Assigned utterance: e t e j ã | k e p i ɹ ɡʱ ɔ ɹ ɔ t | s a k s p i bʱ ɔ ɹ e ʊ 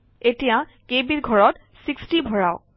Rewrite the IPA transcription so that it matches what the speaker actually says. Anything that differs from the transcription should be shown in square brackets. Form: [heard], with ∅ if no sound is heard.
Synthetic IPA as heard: e t [i] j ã | k e [b] i ɹ ɡʱ ɔ ɹ ɔ t | s [i] k s [t] i bʱ ɔ ɹ [a] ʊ